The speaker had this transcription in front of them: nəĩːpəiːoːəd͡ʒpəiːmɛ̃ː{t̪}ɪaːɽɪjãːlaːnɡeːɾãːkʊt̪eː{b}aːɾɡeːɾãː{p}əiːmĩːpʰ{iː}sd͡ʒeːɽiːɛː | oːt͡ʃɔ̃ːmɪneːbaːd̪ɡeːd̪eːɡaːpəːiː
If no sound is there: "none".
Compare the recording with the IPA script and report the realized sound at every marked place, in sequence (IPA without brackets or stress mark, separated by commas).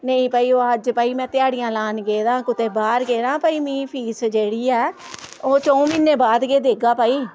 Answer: t̪, b, p, iː